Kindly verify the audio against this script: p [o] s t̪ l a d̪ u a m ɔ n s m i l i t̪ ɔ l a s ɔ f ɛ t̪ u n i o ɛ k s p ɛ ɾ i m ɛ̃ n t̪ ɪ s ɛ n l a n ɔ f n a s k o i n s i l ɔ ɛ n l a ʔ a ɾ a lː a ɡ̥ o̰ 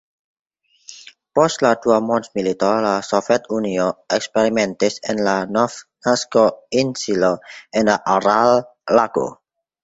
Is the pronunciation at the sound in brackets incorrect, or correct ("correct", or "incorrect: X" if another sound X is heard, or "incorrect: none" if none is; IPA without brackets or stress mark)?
incorrect: ɔ